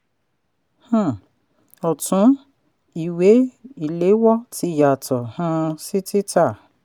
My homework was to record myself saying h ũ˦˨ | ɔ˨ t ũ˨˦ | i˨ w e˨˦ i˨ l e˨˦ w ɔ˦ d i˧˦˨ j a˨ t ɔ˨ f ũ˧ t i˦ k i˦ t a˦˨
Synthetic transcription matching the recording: h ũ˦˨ | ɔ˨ t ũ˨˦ | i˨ w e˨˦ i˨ l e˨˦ w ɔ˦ t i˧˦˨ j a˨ t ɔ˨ h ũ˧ s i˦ t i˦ t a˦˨